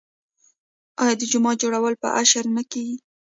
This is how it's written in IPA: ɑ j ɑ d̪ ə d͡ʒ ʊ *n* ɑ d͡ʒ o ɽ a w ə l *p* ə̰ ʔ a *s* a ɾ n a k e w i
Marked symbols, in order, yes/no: no, yes, no

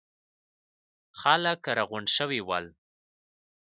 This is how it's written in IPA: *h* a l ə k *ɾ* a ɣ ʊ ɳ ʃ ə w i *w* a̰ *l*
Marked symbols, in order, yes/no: no, yes, yes, yes

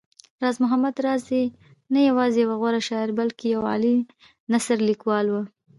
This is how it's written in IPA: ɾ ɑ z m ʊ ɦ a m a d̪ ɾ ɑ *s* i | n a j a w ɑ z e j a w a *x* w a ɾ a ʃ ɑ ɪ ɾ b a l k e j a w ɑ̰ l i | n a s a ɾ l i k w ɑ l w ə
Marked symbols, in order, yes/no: no, no

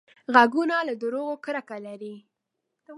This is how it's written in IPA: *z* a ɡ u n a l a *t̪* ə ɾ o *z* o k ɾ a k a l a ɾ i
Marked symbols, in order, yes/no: no, no, no

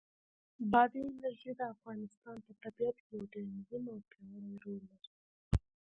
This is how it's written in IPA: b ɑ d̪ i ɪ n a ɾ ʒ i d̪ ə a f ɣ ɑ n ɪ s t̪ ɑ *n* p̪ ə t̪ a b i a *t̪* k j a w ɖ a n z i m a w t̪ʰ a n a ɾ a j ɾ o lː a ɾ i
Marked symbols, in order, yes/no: yes, yes

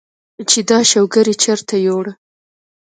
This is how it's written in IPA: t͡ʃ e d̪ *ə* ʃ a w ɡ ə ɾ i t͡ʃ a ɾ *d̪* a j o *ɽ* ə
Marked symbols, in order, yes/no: no, no, yes

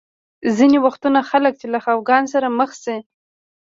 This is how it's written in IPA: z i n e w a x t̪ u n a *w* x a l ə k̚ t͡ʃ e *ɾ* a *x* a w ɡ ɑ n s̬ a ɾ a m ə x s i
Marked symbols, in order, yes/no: no, no, yes

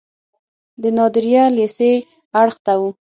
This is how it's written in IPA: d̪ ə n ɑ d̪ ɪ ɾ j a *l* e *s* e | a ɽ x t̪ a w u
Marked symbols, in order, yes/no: yes, yes

